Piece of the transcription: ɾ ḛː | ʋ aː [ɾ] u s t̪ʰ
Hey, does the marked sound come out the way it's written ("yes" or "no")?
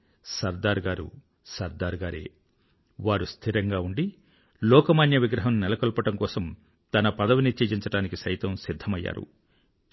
yes